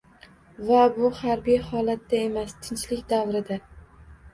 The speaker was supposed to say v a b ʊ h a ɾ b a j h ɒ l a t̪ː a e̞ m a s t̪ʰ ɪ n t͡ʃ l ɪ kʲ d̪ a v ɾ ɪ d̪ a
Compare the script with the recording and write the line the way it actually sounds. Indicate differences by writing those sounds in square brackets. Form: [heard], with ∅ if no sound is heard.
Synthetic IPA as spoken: v a b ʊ h a ɾ b [i] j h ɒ l a t̪ː a e̞ m a s t̪ʰ ɪ n t͡ʃ l ɪ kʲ d̪ a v ɾ ɪ d̪ a